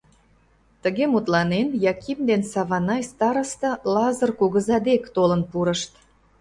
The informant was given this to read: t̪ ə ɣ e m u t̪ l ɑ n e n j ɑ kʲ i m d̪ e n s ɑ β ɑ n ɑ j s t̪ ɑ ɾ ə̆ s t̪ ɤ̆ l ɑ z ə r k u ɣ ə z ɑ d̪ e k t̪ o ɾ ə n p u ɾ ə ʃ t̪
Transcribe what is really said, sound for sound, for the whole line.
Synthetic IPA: t̪ ə ɣ e m u t̪ l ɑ n e n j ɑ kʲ i m d̪ e n s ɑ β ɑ n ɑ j s t̪ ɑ ɾ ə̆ s t̪ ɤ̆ l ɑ z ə r k u ɣ ə z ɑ d̪ e k t̪ o l ə n p u ɾ ə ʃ t̪